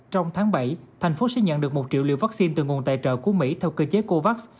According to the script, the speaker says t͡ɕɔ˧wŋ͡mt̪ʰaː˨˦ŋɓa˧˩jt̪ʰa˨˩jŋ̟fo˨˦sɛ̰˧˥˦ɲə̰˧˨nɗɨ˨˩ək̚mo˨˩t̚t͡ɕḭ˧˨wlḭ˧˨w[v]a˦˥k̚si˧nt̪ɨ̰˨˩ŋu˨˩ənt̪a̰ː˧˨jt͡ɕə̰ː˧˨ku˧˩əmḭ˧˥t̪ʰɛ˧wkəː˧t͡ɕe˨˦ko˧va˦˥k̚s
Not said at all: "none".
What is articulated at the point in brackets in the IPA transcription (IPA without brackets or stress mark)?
v